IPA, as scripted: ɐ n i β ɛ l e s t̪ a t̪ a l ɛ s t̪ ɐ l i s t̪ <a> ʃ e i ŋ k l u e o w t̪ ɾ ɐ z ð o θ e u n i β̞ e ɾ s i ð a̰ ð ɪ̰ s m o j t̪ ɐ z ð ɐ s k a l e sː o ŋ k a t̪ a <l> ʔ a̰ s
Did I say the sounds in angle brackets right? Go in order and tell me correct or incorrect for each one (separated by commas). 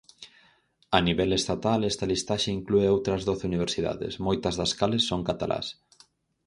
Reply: correct, correct